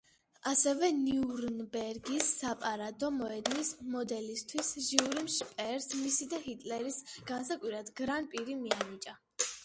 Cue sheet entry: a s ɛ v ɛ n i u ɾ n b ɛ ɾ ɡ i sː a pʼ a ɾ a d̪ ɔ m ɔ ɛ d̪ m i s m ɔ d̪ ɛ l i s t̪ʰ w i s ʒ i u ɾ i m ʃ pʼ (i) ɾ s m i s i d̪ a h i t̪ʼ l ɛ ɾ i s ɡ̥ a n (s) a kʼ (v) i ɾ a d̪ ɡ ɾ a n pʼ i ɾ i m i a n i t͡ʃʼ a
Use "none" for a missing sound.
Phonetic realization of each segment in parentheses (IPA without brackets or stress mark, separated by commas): ɛ, s, w